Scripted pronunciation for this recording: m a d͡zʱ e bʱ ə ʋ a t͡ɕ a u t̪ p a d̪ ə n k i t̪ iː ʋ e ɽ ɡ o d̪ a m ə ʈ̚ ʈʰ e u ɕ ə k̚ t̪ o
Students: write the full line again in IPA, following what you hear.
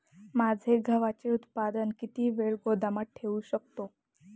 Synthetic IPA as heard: m a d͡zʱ e ɡʱ ə ʋ a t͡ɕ e u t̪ p a d̪ ə n k i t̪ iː ʋ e ɭ ɡ o d̪ a m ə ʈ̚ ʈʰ e u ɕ ə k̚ t̪ o